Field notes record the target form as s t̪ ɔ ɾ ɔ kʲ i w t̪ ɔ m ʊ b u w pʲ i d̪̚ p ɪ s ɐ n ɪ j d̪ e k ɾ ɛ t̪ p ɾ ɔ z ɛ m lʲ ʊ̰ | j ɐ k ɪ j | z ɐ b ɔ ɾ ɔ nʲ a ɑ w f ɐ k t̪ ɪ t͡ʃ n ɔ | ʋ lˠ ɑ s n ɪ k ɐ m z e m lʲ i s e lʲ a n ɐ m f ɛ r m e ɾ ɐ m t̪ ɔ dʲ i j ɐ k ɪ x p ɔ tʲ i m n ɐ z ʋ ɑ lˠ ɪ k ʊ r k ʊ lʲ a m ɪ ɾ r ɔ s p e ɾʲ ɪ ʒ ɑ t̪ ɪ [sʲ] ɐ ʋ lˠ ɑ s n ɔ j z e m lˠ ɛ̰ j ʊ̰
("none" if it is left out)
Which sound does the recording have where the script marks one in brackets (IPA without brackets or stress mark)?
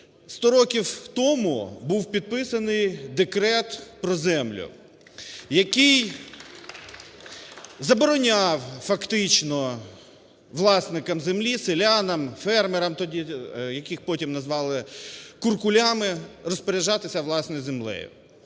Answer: sʲ